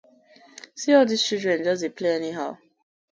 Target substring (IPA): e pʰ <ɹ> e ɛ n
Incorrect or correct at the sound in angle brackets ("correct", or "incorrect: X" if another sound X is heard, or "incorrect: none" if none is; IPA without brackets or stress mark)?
incorrect: l